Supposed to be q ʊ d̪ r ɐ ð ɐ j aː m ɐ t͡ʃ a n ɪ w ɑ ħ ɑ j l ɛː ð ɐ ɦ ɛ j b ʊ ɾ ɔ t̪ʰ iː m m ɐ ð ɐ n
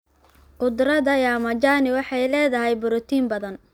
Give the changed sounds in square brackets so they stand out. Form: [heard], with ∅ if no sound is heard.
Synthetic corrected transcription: q ʊ d̪ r ɐ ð ɐ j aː m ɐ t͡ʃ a n ɪ w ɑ ħ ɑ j l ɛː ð ɐ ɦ ɛ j b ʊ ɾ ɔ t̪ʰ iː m [b] ɐ ð ɐ n